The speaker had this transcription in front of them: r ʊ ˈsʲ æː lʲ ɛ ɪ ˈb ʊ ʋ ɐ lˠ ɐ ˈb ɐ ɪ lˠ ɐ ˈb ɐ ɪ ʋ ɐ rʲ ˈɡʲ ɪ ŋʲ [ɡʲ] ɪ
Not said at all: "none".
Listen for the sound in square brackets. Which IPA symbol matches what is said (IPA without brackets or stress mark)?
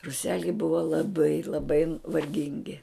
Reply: ɡʲ